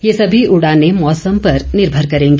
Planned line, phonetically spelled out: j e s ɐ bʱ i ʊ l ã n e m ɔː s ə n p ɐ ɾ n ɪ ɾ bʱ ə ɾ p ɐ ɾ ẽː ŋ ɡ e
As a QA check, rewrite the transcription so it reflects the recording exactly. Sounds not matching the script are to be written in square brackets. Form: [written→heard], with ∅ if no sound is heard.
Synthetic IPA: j e s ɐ bʱ i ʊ [l→ɽ] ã n e m ɔː s ə [n→m] p ɐ ɾ n ɪ ɾ bʱ ə ɾ [p→k] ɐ ɾ ẽː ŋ ɡ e

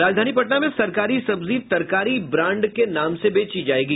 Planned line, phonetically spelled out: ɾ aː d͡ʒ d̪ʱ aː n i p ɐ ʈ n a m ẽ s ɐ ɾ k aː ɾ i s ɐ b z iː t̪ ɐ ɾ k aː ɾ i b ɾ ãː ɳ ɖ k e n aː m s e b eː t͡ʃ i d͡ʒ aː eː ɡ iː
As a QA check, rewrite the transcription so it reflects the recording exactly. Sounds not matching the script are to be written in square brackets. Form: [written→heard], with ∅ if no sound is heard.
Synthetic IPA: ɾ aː d͡ʒ d̪ʱ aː n i p ɐ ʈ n a m ẽ s ɐ ɾ k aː ɾ i s ɐ b z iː t̪ ɐ ɾ k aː ɾ i b ɾ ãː ɳ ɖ k e n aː m s e b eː t͡ʃ i d͡ʒ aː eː ɡ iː

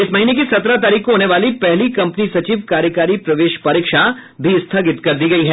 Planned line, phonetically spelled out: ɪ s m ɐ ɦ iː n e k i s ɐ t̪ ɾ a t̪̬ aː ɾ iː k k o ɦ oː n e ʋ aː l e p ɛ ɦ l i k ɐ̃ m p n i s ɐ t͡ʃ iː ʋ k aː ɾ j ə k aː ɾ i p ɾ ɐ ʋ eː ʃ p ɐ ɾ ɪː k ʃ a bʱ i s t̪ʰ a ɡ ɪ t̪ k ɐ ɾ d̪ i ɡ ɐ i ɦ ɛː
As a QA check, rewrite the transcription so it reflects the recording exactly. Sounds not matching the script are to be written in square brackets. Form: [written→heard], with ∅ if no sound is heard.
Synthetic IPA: ɪ s m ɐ ɦ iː n e k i s ɐ t̪ ɾ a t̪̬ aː ɾ iː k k o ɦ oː n e ʋ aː l [e→i] p ɛ ɦ l i k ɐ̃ m p n i s ɐ t͡ʃ iː ʋ k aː ɾ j ə k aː ɾ i p ɾ ɐ ʋ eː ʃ p ɐ ɾ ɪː k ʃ a bʱ i s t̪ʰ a ɡ ɪ t̪ k ɐ ɾ d̪ i ɡ ɐ i ɦ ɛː

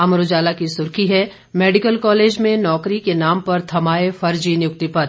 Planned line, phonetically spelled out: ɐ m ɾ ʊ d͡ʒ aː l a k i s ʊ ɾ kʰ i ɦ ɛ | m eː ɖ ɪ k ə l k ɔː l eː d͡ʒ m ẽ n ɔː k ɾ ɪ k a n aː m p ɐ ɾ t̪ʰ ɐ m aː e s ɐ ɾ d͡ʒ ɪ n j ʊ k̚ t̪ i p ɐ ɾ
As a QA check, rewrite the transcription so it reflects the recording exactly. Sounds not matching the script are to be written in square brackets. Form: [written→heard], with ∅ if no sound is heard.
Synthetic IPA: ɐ m ɾ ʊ d͡ʒ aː l a k i s ʊ ɾ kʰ i ɦ ɛ | m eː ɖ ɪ k ə l k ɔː l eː d͡ʒ m ẽ n ɔː k ɾ [ɪ→i] k [a→e] n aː m p ɐ ɾ t̪ʰ ɐ m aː e [s→f] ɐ ɾ d͡ʒ [ɪ→i] n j ʊ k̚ t̪ i p ɐ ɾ

